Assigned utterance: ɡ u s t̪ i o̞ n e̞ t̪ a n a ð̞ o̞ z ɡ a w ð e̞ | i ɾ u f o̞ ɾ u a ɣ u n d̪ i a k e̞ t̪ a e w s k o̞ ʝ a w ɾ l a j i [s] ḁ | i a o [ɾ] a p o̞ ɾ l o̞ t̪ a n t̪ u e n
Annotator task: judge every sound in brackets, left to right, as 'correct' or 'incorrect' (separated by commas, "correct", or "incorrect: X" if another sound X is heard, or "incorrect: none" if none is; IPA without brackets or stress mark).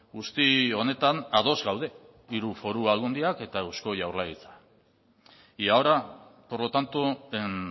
incorrect: t͡s, correct